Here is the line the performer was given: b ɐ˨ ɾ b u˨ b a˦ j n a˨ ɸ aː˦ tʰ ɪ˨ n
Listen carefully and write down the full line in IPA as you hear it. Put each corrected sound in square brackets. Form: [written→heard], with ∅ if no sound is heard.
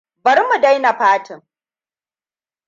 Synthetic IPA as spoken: b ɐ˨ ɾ [b→m] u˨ [b→d] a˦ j n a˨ ɸ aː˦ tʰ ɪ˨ [n→ŋ]